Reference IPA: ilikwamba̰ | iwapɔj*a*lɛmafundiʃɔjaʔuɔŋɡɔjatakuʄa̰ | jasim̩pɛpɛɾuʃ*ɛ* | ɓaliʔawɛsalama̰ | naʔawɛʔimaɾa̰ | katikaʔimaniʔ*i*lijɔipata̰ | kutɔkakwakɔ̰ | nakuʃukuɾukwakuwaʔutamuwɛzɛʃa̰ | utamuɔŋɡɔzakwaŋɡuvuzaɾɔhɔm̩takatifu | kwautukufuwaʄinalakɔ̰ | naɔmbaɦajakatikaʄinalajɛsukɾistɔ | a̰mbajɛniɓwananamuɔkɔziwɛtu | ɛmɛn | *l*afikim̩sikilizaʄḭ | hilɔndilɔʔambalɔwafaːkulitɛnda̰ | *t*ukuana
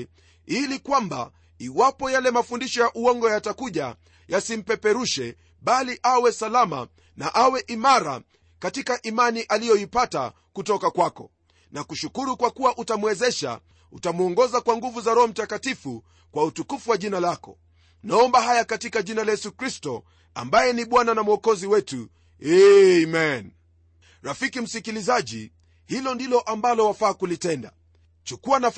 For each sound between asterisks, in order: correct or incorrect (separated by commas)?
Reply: correct, correct, incorrect, incorrect, incorrect